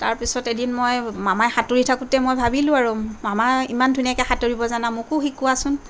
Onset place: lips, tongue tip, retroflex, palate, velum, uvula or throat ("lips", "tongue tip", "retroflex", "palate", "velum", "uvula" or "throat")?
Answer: tongue tip